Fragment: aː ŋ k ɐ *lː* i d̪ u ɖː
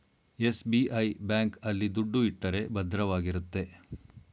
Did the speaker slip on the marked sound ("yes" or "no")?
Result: no